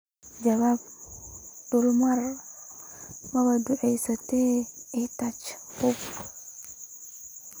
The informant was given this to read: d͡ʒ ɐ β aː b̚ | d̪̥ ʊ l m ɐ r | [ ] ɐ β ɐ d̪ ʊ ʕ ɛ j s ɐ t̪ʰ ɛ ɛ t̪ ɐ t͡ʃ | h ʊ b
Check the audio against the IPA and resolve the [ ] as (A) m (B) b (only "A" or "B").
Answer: A